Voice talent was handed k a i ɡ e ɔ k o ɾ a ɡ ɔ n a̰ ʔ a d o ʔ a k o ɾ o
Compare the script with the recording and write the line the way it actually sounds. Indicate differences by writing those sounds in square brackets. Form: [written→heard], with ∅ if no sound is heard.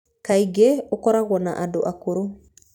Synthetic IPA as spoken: k a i ɡ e [ɔ→o] k [o→ɔ] ɾ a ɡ ɔ n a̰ ʔ a d o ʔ a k o ɾ o